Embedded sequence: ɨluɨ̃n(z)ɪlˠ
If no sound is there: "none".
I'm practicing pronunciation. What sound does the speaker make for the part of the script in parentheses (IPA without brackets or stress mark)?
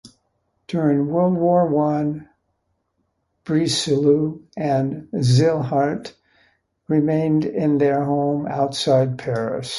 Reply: z